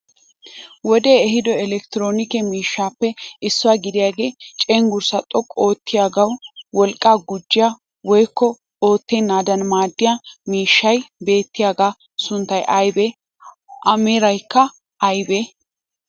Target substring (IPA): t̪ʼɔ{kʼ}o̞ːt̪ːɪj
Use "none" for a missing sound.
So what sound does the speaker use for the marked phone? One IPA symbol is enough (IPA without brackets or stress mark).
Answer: kʼ